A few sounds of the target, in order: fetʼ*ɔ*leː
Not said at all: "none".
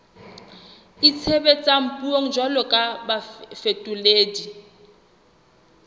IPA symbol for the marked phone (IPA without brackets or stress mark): u